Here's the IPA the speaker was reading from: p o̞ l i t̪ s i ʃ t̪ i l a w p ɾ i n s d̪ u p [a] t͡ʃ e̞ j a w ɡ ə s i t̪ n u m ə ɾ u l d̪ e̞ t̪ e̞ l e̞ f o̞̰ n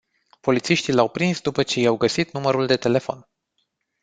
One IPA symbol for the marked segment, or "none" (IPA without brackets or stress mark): ə